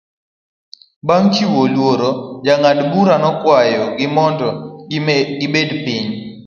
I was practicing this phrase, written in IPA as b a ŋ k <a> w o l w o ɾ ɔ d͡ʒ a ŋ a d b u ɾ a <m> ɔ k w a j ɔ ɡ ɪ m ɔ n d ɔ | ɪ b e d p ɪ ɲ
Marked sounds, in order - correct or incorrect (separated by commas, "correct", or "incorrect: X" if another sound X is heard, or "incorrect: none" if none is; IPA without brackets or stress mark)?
incorrect: i, incorrect: n